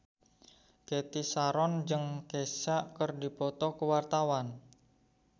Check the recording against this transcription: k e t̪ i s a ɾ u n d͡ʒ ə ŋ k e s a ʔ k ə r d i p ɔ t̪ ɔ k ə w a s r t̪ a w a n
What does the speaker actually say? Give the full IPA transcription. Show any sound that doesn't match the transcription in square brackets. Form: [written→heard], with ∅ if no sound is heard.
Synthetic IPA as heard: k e t̪ i s a ɾ [u→ɔ] n d͡ʒ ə ŋ k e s a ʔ k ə r d i p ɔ t̪ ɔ k ə w a [s→∅] r t̪ a w a n